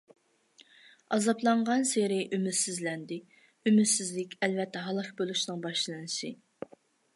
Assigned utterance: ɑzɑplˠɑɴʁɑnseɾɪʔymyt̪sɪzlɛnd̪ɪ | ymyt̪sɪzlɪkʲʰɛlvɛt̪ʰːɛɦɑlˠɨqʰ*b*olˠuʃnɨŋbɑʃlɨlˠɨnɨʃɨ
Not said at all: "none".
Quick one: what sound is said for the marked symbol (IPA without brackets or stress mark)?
b